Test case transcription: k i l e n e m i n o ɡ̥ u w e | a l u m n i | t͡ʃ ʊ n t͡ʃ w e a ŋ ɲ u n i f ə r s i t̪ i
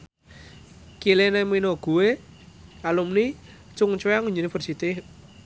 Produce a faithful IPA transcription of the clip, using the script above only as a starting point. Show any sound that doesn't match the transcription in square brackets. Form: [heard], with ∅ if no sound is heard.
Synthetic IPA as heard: k i l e n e m i n o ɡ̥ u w e | a l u m n i | t͡ʃ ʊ [ŋ] t͡ʃ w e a ŋ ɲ u n i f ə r s i t̪ i